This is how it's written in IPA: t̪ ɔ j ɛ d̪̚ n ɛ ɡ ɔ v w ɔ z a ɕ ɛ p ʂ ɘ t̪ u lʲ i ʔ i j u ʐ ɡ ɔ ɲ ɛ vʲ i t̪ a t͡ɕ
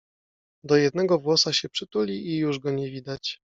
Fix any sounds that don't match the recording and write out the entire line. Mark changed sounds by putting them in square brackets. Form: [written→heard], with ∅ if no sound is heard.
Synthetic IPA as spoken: [t̪→d̪] ɔ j ɛ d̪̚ n ɛ ɡ ɔ v w ɔ [z→s] a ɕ ɛ p ʂ ɘ t̪ u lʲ i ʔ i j u ʐ ɡ ɔ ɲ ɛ vʲ i [t̪→d̪] a t͡ɕ